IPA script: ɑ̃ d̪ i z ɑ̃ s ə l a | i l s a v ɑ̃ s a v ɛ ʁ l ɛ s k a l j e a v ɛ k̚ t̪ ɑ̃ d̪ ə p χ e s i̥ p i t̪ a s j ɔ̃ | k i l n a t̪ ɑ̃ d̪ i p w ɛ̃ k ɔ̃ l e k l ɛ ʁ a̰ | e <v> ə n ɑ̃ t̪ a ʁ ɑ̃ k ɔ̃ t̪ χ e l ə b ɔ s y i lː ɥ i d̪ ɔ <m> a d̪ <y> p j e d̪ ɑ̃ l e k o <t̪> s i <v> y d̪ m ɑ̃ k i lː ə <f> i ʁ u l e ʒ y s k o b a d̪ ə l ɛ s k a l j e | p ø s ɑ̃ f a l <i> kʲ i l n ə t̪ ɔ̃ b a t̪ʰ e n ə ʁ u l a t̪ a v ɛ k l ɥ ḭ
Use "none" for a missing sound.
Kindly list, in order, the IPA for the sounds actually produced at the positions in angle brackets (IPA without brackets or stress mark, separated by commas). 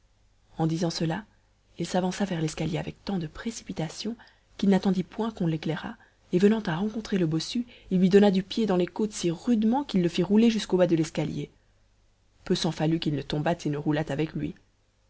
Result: v, n, y, t̪, ʁ, f, y